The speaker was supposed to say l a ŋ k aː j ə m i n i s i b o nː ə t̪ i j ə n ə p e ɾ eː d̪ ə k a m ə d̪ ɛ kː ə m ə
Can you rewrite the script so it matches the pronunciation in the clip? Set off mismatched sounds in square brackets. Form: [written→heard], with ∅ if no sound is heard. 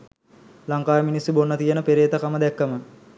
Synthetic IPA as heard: l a ŋ k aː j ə m i n i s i b o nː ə t̪ i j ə n ə p e ɾ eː [d̪→t̪] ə k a m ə d̪ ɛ kː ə m ə